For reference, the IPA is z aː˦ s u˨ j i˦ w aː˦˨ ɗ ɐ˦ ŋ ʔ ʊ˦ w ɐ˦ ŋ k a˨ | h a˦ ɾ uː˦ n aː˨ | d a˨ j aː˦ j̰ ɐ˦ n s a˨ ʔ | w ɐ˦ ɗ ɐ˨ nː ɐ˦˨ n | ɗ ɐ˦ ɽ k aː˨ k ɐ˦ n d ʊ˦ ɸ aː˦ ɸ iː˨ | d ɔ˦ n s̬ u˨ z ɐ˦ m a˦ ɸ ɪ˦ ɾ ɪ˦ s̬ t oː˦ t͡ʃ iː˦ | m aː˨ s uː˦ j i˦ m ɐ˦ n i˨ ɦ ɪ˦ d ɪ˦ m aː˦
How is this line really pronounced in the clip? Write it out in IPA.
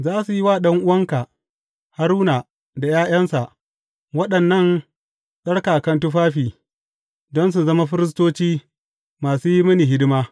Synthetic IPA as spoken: z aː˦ s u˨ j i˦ w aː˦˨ ɗ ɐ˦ ŋ ʔ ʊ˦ w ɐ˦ ŋ k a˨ | h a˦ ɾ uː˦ n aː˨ | d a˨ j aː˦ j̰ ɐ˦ n s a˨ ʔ | w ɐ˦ ɗ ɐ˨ nː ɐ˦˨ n | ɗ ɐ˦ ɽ k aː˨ k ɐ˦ n t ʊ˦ ɸ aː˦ ɸ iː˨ | d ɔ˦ n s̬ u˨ z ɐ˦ m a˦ ɸ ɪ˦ ɾ ɪ˦ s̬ t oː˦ t͡ʃ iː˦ | m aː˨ s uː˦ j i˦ m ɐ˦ n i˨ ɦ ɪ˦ d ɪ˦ m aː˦